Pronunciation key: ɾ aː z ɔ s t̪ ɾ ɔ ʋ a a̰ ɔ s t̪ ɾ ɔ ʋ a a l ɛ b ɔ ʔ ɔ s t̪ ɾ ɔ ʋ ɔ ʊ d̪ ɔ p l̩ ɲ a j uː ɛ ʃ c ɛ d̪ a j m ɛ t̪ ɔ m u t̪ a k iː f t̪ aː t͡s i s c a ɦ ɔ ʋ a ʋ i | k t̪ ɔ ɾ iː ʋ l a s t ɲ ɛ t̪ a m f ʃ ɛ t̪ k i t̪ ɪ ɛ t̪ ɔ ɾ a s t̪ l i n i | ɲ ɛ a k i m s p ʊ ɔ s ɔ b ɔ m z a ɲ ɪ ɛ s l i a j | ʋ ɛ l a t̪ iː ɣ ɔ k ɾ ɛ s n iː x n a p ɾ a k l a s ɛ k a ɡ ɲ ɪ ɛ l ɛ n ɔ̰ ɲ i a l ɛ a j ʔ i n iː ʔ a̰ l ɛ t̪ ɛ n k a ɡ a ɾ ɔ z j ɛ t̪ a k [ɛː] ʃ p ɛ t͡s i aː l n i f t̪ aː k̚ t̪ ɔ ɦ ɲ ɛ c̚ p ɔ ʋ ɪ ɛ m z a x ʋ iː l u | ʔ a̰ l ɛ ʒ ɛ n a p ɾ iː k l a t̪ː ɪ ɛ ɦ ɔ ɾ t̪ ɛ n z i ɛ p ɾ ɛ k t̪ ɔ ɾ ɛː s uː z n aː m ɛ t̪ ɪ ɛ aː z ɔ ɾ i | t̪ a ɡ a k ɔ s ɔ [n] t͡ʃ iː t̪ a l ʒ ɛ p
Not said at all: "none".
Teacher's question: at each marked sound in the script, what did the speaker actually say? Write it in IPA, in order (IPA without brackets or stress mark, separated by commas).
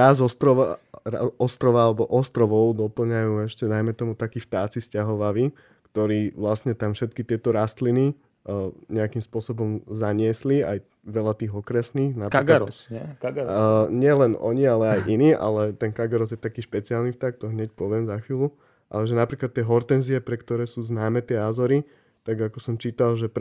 iː, m